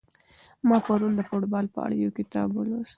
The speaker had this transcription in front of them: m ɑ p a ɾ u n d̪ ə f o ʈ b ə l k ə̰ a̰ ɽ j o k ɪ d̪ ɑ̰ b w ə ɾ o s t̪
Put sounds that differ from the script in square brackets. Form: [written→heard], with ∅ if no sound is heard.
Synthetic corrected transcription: m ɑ p a ɾ u n d̪ ə f o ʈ b [ə→ɑ] l [k→p] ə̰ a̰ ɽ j o k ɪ [d̪→t̪] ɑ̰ b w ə [ɾ→l] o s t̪